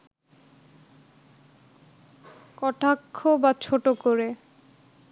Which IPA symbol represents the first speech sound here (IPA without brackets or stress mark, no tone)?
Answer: k